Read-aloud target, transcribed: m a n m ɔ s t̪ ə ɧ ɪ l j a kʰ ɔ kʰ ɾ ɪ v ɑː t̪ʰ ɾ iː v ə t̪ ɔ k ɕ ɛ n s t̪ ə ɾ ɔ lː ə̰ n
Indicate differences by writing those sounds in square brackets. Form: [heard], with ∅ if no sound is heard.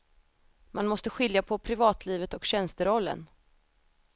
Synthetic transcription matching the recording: m a n m ɔ s t̪ ə ɧ ɪ l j a [pʰ] ɔ [pʰ] ɾ ɪ v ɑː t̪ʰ [l] iː v ə t̪ ɔ k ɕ ɛ n s t̪ ə ɾ ɔ lː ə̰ n